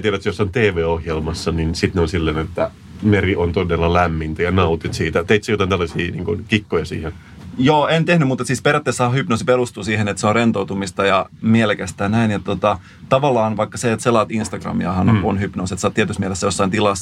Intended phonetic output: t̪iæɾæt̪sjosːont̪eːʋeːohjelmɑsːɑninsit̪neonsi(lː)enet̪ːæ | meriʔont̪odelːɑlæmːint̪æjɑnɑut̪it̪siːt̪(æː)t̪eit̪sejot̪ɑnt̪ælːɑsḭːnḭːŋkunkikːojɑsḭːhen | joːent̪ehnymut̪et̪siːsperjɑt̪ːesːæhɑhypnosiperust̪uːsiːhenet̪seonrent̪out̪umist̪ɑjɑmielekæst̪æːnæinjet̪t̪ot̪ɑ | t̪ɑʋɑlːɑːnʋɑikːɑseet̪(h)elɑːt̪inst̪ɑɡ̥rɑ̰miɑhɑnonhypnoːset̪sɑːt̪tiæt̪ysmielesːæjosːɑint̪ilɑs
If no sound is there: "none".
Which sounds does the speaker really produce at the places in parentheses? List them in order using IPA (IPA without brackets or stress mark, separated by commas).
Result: lː, æ, s